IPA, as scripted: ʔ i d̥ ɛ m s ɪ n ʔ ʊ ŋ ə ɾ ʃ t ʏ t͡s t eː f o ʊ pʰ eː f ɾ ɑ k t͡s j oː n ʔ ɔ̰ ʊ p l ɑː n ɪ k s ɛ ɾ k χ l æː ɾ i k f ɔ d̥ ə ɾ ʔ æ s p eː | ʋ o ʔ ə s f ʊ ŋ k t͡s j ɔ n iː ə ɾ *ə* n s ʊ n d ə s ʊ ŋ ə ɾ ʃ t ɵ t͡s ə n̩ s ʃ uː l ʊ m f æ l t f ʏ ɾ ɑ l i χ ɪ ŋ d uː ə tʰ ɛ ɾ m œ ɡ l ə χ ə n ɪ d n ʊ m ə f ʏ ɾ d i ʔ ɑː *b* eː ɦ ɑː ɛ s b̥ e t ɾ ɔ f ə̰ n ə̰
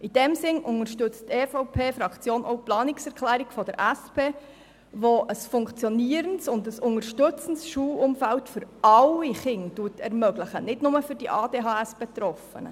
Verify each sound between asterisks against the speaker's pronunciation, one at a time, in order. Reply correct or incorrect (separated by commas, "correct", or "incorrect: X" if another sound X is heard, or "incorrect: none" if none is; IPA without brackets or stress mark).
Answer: correct, incorrect: d